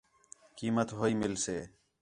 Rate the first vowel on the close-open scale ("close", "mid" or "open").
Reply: close